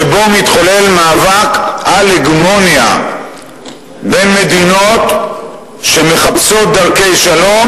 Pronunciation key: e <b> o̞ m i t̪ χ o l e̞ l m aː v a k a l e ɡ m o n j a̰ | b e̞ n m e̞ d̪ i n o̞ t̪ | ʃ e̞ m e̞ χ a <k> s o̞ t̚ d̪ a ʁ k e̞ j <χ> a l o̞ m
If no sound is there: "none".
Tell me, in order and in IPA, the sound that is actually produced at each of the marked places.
b, p, ʃ

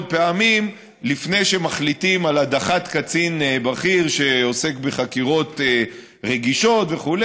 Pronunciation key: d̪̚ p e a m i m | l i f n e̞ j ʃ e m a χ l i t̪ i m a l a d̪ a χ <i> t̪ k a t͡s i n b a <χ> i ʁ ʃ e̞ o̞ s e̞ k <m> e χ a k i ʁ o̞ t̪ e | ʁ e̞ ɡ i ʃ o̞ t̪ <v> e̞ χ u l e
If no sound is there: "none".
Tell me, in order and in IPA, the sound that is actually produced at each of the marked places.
a, χ, b, v

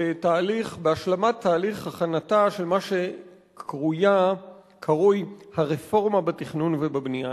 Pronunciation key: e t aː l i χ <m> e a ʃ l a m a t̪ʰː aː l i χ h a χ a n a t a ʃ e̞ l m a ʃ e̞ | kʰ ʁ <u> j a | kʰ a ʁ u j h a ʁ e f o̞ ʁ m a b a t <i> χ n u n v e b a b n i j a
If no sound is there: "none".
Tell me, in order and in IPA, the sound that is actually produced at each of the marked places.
b, u, i

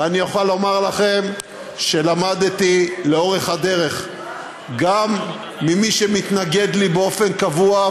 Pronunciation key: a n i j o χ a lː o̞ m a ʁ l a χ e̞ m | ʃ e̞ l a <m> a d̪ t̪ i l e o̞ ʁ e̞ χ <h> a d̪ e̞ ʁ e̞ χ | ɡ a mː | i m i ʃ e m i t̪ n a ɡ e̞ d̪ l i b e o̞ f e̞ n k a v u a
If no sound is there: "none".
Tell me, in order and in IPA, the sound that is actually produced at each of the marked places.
m, h

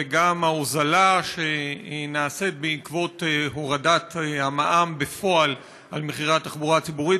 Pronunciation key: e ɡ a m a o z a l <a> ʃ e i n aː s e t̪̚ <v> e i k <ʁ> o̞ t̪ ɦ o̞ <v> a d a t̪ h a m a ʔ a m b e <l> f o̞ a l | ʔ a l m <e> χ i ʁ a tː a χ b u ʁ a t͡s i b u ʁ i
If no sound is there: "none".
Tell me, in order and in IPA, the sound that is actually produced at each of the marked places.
a, b, v, ʁ, none, e

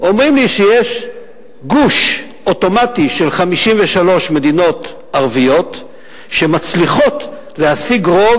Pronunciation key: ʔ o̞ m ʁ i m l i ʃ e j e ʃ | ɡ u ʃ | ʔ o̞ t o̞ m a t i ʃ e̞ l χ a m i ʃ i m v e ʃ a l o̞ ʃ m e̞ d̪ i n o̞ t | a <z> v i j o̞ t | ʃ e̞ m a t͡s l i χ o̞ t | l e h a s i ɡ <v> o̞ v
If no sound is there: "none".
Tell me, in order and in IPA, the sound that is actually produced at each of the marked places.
ʁ, ʁ

